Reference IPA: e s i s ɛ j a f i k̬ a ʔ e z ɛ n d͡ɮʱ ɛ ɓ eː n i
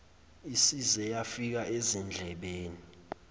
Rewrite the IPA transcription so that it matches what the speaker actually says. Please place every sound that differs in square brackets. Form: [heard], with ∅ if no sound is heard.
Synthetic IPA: [i] s i [z] ɛ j a f i k̬ a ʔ e z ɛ n d͡ɮʱ ɛ ɓ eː n i